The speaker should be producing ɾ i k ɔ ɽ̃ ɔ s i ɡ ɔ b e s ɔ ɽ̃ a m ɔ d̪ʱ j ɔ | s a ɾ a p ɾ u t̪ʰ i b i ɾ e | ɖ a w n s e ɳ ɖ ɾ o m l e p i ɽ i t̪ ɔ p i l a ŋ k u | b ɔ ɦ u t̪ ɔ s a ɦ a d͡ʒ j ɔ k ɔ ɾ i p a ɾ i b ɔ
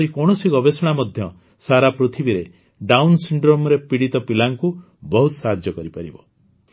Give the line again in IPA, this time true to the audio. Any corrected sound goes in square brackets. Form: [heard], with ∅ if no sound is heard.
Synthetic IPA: ɾ i k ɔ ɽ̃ ɔ s i ɡ ɔ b e s ɔ ɽ̃ a m ɔ d̪ʱ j ɔ | s a ɾ a p ɾ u t̪ʰ i b i ɾ e | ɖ a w n s [i] ɳ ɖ ɾ o m [ɾ] e p i ɽ i t̪ ɔ p i l a ŋ k u | b ɔ ɦ u t̪ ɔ s a ɦ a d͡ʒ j ɔ k ɔ ɾ i p a ɾ i b ɔ